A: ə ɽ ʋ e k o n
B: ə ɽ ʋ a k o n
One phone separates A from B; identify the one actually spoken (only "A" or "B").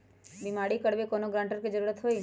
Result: A